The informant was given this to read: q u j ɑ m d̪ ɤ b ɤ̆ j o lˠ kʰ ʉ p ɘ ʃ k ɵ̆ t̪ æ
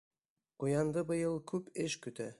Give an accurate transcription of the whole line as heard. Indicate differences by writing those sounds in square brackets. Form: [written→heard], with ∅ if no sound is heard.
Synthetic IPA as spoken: q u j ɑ [m→n] d̪ ɤ b ɤ̆ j [o→ɤ] lˠ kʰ ʉ p ɘ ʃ k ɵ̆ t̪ æ